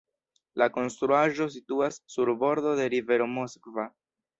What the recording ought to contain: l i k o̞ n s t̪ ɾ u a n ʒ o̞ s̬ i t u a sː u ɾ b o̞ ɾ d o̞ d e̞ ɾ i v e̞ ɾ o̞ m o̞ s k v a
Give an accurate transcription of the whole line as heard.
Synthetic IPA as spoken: l a k o̞ n s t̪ ɾ u a ʒ o̞ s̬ i t u a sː u ɾ b o̞ ɾ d o̞ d e̞ ɾ i v e̞ ɾ o̞ m o̞ s k v a